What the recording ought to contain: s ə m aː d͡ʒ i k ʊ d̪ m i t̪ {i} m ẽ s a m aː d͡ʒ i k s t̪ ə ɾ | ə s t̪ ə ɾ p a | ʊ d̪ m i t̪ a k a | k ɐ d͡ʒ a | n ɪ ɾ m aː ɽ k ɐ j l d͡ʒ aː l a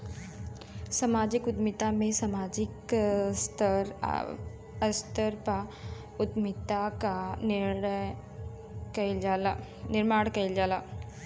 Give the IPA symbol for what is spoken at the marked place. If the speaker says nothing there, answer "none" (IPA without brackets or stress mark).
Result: a